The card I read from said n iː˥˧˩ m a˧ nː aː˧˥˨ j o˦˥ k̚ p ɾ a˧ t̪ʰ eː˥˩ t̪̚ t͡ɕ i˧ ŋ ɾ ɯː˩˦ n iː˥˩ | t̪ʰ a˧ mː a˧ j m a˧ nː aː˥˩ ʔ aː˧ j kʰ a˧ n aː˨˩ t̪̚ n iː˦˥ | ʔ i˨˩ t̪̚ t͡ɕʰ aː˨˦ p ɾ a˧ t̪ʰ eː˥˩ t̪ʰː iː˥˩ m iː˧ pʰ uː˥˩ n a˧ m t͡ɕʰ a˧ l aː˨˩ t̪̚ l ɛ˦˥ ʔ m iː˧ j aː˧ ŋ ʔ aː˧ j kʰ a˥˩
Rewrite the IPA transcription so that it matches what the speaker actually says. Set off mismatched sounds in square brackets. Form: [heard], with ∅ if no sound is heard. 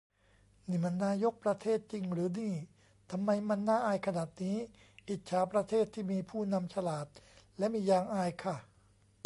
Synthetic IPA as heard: n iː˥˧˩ m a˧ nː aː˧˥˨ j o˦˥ k̚ p ɾ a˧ t̪ʰ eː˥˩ t̪̚ t͡ɕ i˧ ŋ ɾ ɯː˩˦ n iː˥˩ | t̪ʰ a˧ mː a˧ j m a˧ nː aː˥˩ ʔ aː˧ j kʰ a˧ n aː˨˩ t̪̚ n iː˦˥ | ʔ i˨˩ t̪̚ t͡ɕʰ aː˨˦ p ɾ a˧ t̪ʰ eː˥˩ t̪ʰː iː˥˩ m iː˧ pʰ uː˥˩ n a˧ m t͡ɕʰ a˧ l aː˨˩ t̪̚ l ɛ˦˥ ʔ m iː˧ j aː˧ ŋ ʔ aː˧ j kʰ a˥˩